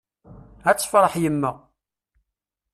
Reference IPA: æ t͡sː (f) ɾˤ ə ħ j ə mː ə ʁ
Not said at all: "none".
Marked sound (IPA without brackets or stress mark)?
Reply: f